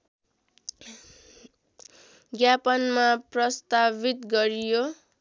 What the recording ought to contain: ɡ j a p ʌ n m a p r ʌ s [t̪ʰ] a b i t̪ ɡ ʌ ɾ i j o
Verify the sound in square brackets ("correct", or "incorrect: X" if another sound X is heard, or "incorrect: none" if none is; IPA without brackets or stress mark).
incorrect: t̪